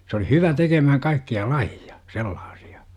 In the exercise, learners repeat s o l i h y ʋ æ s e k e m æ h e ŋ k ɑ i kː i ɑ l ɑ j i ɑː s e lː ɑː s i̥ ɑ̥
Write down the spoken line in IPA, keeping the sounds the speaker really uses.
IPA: s o l i h y ʋ æ t e k e m æ h æ ŋ k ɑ i kː i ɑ l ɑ j i ɑ s e lː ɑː s i̥ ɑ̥